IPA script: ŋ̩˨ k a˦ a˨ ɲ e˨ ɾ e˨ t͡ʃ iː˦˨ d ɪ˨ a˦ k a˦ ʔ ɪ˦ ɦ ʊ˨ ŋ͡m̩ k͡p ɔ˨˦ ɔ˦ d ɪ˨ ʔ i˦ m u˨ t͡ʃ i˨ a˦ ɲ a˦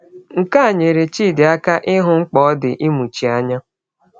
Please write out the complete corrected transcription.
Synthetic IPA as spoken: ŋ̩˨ k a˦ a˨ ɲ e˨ ɾ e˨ t͡ʃ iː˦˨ d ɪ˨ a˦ k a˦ ʔ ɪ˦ ɦ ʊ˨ ŋ͡m̩ k͡p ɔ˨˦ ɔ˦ d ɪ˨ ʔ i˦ m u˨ t͡ʃ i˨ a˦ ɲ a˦